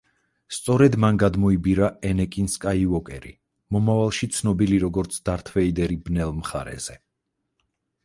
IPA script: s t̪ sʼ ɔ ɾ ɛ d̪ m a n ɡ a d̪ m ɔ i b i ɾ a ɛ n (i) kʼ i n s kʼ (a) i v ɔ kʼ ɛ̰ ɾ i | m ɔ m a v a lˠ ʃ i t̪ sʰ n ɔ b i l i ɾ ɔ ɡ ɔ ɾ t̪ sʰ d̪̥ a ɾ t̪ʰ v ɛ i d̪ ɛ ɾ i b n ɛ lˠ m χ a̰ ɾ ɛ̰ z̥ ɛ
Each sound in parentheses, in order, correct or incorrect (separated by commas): incorrect, correct